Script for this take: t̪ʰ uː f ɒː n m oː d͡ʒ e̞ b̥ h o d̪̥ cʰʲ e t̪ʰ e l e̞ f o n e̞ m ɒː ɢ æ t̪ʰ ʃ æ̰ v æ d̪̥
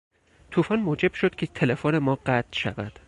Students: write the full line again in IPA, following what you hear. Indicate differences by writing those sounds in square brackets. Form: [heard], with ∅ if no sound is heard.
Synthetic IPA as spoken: t̪ʰ uː f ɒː n m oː d͡ʒ e̞ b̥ [ʃ] o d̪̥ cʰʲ e t̪ʰ e l e̞ f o n e̞ m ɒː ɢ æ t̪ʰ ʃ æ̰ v æ d̪̥